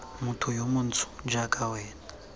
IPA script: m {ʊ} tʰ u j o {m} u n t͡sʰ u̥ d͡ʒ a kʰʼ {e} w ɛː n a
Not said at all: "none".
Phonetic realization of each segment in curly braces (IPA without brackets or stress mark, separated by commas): u, m, a